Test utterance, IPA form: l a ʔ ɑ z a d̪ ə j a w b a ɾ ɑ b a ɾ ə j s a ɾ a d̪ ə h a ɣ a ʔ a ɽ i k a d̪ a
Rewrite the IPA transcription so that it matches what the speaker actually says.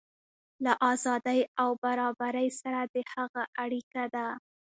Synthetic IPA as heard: l a ʔ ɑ z ɑ d̪ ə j a w b a ɾ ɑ b a ɾ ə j s a ɾ a d̪ ə h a ɣ a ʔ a ɽ i k a d̪ a